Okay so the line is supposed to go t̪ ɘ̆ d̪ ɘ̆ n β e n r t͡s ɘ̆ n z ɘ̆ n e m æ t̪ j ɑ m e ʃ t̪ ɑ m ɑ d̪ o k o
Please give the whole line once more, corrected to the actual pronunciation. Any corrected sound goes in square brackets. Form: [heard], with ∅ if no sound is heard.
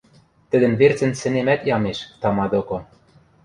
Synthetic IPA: t̪ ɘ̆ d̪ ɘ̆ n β e [∅] r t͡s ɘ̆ n [s] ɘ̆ n e m æ t̪ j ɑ m e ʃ t̪ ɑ m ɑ d̪ o k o